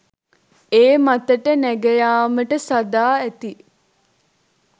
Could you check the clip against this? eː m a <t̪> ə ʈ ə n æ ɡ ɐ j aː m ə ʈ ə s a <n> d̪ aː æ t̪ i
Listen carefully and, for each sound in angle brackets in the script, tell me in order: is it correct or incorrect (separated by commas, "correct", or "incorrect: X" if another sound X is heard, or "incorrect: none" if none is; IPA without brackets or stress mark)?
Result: correct, incorrect: none